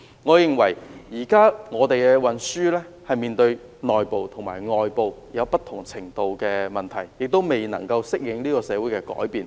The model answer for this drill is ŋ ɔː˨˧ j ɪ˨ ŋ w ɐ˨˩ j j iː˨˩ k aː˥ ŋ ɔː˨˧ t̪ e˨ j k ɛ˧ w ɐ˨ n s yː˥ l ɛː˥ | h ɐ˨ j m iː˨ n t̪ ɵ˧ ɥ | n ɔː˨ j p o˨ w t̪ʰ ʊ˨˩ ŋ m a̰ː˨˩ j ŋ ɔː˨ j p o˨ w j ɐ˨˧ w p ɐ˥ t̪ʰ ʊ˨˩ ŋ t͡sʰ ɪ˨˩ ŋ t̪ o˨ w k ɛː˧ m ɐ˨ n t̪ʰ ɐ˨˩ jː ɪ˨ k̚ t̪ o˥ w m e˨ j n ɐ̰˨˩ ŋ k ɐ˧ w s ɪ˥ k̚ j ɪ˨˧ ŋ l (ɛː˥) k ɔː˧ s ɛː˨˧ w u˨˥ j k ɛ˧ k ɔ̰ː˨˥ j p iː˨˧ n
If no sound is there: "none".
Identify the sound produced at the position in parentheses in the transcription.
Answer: iː˥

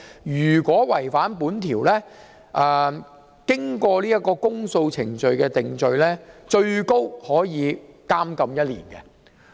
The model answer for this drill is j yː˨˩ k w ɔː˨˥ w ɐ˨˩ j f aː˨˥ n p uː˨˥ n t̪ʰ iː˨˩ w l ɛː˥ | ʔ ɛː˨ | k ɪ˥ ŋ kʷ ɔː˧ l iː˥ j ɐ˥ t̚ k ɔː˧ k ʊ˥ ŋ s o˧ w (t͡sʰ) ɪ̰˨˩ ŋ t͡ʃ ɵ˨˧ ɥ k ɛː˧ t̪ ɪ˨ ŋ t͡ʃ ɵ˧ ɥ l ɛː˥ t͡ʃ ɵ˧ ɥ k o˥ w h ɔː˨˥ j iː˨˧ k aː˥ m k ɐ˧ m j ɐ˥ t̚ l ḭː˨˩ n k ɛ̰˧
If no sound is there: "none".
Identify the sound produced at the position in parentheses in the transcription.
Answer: t͡sʰ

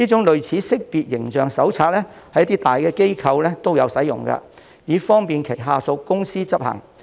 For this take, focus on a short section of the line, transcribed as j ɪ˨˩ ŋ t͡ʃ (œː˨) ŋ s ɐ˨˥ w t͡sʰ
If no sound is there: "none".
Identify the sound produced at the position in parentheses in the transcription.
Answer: œː˨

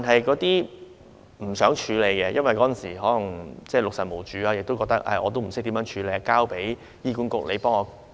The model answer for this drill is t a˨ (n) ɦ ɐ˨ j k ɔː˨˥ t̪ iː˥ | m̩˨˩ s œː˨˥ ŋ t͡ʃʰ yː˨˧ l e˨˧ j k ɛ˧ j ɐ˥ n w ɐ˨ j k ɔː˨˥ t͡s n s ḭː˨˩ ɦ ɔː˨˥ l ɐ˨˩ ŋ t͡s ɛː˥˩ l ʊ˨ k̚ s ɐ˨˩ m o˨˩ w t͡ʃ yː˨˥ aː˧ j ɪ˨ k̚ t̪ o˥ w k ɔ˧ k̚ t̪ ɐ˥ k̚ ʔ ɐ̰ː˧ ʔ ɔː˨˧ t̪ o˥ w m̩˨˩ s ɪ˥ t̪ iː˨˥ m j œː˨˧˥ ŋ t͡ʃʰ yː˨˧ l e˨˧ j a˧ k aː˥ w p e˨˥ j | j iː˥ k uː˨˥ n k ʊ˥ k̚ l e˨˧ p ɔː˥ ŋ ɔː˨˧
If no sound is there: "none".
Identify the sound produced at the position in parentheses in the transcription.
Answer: n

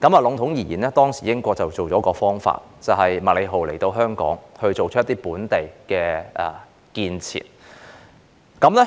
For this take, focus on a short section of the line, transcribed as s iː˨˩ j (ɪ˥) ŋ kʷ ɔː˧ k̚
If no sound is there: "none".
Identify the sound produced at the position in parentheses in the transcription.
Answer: ɪ˥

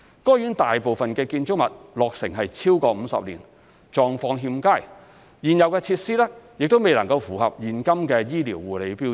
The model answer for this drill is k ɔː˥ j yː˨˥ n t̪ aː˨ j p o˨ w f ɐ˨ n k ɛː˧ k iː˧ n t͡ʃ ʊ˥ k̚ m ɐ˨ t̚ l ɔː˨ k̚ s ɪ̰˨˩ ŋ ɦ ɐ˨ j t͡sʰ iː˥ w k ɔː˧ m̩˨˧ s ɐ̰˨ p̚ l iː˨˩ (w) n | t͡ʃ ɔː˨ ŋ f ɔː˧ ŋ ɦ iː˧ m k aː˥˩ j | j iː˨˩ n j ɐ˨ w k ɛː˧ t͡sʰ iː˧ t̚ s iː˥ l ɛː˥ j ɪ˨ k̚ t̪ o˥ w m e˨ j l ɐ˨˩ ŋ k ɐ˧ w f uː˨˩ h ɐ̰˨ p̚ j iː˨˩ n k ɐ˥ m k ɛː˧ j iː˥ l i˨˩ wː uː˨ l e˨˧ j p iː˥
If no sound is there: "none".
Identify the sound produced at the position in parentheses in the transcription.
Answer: none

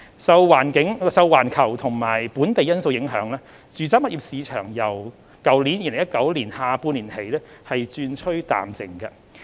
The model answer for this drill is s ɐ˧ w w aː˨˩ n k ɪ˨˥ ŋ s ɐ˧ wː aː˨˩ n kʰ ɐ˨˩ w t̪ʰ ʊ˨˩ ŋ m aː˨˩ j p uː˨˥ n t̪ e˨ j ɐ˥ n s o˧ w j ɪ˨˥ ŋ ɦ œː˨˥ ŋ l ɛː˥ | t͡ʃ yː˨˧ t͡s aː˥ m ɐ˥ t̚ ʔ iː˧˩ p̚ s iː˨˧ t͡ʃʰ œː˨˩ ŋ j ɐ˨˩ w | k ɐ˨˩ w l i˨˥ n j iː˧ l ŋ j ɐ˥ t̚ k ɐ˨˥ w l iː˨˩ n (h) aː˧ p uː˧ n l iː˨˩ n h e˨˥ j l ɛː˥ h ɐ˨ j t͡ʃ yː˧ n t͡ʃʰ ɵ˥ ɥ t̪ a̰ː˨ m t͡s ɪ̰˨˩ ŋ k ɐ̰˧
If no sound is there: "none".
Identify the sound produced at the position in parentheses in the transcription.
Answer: h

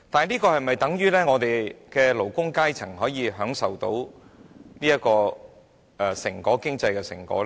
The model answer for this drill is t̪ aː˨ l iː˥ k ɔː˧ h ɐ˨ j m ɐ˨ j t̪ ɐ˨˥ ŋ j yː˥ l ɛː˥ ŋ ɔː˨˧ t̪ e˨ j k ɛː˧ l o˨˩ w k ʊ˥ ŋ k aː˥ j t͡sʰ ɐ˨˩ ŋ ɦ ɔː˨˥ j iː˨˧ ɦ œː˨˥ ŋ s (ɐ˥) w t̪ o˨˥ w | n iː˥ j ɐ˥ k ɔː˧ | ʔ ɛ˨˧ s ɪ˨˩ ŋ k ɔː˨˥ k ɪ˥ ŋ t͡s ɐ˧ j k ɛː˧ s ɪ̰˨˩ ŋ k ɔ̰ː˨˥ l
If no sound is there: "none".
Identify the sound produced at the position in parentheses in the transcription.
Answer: ɐ˨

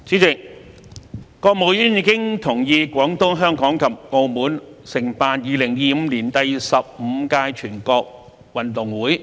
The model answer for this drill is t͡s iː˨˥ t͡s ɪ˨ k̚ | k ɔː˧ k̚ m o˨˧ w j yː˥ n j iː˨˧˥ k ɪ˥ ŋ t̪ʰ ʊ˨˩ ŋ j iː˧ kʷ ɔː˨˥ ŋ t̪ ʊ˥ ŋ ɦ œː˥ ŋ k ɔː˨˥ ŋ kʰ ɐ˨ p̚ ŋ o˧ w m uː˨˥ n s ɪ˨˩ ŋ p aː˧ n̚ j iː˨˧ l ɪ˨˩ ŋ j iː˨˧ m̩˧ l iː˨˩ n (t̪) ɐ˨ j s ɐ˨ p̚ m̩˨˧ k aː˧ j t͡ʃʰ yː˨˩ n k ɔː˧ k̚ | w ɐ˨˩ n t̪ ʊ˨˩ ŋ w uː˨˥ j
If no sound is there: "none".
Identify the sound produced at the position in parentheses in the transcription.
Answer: t̪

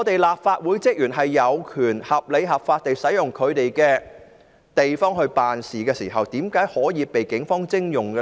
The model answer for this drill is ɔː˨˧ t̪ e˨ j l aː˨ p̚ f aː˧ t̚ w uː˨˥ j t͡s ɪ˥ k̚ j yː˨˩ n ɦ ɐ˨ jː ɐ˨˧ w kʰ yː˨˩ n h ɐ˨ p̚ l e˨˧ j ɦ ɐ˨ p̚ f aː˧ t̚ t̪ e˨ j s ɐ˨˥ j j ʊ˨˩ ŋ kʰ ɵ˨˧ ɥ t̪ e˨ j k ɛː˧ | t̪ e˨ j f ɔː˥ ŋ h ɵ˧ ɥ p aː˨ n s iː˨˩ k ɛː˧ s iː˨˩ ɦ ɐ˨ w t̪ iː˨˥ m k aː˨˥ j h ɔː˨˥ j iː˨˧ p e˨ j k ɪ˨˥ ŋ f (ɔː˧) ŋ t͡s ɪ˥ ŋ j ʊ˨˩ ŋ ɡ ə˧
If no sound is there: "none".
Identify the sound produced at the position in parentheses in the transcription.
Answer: ɔː˥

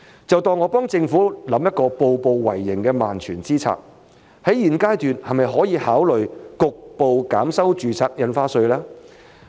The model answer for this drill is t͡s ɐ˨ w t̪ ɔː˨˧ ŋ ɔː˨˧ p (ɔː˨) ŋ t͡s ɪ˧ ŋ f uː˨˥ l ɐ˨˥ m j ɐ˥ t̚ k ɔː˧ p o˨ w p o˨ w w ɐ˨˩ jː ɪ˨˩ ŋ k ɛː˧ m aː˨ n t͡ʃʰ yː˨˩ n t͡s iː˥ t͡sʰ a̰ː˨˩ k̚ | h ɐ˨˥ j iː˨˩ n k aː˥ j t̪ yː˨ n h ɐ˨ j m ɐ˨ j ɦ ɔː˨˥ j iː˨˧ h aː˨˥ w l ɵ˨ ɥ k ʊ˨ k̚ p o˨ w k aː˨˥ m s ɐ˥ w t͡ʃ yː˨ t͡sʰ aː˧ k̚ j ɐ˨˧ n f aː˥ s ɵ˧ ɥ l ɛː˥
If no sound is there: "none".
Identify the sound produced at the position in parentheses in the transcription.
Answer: ɔː˥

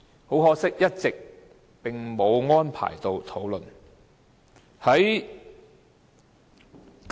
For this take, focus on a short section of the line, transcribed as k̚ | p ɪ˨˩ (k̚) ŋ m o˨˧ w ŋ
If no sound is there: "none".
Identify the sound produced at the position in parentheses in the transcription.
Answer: none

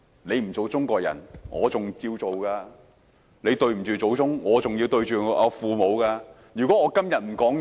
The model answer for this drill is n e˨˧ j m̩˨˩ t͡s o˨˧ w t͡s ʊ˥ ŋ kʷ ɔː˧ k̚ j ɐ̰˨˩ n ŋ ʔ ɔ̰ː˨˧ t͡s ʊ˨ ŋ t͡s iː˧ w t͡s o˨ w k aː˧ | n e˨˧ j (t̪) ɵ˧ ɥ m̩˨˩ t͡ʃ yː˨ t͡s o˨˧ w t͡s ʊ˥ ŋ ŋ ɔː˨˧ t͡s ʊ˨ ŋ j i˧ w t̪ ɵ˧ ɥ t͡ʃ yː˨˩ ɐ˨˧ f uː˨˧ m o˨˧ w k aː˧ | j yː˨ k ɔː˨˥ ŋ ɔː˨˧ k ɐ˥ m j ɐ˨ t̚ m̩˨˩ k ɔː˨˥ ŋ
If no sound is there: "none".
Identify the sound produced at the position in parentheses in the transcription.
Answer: t̪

